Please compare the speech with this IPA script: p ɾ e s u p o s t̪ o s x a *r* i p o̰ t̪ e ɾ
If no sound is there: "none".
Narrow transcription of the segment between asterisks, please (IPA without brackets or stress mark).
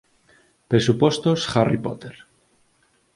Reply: r